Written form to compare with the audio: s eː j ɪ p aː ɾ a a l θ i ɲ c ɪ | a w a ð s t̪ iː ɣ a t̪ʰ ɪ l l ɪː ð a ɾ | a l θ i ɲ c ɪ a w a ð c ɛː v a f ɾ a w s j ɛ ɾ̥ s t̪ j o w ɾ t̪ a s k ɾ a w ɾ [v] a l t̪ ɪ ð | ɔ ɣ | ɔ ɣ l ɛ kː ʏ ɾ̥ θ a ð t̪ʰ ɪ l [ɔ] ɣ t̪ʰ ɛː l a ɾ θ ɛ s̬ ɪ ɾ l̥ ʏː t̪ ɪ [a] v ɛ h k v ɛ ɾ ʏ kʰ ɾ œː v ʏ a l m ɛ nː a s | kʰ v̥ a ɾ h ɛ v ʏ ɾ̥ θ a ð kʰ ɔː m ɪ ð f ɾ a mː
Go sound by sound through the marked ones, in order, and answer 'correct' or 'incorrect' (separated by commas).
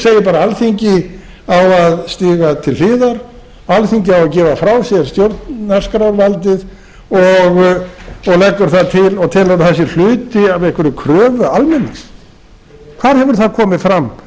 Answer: correct, correct, correct